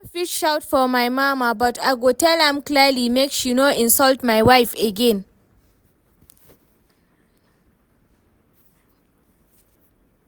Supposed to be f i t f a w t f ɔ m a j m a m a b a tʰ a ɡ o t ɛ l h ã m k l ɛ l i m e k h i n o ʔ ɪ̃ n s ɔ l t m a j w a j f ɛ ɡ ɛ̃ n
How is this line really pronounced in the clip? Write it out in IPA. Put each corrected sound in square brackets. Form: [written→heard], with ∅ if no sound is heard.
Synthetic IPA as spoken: f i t [f→ʃ] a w t f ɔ m a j m a m a b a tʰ a ɡ o t ɛ l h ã m k l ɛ l i m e k [h→ʃ] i n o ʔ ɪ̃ n s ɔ l t m a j w a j f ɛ ɡ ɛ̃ n